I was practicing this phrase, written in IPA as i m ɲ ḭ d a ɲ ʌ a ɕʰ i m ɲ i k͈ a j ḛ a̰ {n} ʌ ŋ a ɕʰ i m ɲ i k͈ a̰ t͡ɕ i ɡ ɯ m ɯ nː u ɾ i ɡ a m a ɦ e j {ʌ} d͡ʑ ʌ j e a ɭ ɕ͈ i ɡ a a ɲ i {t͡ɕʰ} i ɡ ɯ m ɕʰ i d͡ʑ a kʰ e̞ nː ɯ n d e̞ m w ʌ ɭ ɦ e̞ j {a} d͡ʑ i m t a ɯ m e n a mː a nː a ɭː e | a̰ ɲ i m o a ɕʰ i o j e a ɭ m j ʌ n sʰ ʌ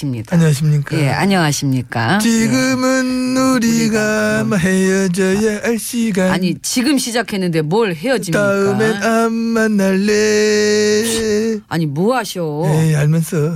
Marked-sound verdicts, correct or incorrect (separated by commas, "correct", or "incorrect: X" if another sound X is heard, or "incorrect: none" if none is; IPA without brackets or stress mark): incorrect: ɲ, correct, incorrect: t͡ɕ, incorrect: ʌ